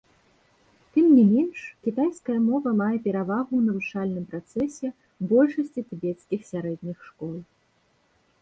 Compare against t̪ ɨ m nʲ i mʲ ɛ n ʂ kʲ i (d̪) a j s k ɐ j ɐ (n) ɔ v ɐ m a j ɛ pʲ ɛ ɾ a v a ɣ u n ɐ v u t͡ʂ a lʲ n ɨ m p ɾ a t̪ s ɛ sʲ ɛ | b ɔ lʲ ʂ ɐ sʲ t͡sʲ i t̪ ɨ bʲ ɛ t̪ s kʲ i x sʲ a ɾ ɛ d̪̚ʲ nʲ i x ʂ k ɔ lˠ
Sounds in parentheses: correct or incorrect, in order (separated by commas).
incorrect, incorrect